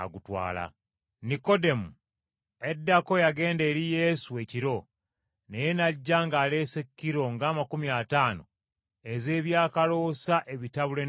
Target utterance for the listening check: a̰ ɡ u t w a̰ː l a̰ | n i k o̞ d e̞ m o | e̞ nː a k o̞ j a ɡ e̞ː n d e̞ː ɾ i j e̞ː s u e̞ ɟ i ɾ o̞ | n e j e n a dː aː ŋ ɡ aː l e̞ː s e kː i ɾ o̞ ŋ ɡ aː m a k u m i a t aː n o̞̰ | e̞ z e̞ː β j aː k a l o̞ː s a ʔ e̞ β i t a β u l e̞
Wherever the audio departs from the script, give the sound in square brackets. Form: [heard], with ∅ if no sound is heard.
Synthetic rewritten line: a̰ ɡ u t w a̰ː l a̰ | n i k o̞ d e̞ m [u] | e̞ [dː] a k o̞ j a ɡ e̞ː n d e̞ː ɾ i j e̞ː s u e̞ [c] i ɾ o̞ | n e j e n a [ɟː] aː ŋ ɡ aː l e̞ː s e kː i ɾ o̞ ŋ ɡ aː m a k u m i a t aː n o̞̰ | e̞ z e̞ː β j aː k a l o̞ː s a ʔ e̞ β i t a β u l e̞

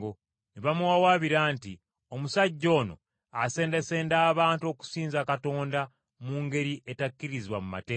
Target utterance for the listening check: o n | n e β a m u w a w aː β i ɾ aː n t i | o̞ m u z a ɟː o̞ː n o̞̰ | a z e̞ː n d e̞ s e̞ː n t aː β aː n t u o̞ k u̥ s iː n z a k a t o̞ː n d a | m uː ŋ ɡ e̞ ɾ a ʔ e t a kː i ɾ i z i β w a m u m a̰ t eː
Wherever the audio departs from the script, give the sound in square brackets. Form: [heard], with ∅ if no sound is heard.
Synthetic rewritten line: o [∅] | n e β a m u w a w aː β i ɾ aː n t i | o̞ m u [s] a ɟː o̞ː n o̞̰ | a [s] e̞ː n d e̞ s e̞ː n [d] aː β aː n t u o̞ k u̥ s iː n z a k a t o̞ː n d a | m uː ŋ ɡ e̞ ɾ [i] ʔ e t a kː i ɾ i z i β w a m u m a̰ t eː

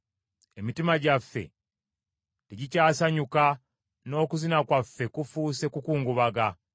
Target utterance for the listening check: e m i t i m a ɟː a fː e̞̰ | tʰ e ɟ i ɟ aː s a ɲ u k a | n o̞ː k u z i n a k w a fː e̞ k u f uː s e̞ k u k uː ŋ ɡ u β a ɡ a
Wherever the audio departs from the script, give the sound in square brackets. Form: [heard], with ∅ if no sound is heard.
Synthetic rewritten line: e m i t i m a [ɟ] a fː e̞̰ | [t] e ɟ i [c] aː s a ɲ u k a | n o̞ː k u z i n a k w a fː e̞ k u f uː s e̞ k u k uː ŋ ɡ u β a ɡ a

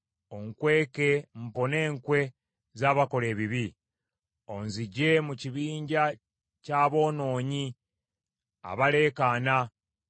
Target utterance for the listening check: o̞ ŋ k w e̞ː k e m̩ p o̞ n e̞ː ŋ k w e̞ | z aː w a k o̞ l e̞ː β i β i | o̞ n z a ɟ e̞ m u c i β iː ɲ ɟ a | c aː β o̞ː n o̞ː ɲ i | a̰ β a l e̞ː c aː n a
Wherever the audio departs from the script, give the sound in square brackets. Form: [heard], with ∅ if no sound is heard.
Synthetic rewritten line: o̞ ŋ k w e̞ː k e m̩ p o̞ n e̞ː ŋ k w e̞ | z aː [β] a k o̞ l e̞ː β i β i | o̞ n z [i] ɟ e̞ m u c i β iː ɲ ɟ a | c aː β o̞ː n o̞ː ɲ i | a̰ β a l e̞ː [k] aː n a

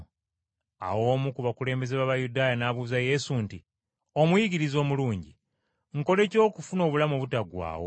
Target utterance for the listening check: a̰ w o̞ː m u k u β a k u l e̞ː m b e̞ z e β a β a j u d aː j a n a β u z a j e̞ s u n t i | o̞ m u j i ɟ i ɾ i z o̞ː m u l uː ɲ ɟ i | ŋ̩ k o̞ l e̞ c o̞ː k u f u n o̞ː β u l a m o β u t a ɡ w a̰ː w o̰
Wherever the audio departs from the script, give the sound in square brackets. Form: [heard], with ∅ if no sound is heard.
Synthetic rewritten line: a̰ w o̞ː m u k u β a k u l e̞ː m b e̞ z e β a β a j u d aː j a n a β u z a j e̞ s u n t i | o̞ m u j i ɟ i ɾ i z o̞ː m u l uː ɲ ɟ i | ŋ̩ k o̞ l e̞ c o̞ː k u f u n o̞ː β u l a m o β u t a ɡ w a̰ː w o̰

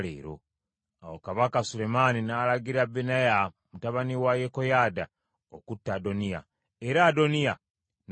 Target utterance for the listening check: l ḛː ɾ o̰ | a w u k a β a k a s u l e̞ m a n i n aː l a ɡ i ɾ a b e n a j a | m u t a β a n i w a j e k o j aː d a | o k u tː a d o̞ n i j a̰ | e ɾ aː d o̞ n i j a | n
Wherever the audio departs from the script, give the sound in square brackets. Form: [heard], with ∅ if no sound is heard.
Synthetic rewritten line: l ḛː ɾ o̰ | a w [o] k a β a k a s u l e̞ m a n i n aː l a ɡ i ɾ a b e n a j a | m u t a β a n i w a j e k o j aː d a | o k u tː a d o̞ n i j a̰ | e ɾ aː d o̞ n i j a | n

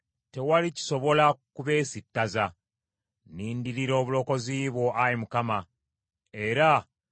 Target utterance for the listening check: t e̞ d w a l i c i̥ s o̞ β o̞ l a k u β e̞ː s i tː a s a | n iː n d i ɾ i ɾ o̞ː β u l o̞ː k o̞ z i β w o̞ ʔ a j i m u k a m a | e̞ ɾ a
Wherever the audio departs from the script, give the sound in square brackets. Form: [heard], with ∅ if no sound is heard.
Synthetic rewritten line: t e̞ [∅] w a l i c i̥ s o̞ β o̞ l a k u β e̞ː s i tː a [z] a | n iː n d i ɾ i ɾ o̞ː β u l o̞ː k o̞ z i β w o̞ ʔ a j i m u k a m a | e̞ ɾ a

